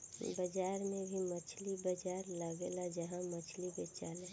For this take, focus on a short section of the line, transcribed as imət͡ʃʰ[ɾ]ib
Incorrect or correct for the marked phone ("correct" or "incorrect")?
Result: incorrect